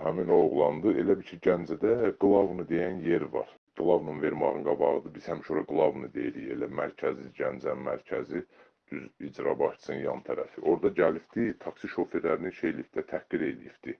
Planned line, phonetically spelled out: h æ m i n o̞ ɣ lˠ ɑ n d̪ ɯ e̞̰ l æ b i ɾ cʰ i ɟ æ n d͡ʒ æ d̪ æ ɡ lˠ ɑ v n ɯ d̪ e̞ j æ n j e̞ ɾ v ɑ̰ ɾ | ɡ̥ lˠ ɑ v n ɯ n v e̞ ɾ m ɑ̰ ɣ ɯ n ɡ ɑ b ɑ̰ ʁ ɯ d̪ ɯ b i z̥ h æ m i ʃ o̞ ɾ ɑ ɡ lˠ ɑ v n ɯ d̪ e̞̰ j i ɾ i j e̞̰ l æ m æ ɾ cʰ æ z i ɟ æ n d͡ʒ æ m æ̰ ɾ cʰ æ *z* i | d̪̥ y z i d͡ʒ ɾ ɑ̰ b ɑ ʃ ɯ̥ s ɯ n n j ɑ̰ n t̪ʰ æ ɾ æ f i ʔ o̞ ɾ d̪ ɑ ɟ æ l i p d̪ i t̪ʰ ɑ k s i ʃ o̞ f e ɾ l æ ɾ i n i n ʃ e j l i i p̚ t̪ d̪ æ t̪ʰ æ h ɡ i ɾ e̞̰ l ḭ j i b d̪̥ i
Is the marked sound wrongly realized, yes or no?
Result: no